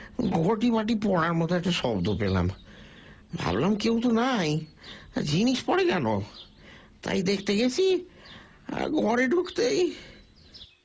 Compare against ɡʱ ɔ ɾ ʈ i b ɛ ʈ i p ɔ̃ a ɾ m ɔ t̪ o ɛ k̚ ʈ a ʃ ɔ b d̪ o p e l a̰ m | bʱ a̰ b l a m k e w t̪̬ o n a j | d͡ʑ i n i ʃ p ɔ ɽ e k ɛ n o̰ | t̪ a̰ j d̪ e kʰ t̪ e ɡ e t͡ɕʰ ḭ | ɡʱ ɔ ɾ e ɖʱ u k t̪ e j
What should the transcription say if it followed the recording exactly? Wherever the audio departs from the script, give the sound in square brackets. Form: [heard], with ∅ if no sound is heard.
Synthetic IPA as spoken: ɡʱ ɔ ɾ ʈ i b [a] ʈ i p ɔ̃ a ɾ m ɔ t̪ o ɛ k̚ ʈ a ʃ ɔ b d̪ o p e l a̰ m | bʱ a̰ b l a m k e w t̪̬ o n a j | d͡ʑ i n i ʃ p ɔ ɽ e k ɛ n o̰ | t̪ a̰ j d̪ e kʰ t̪ e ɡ e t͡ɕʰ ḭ | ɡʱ ɔ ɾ e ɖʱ u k t̪ e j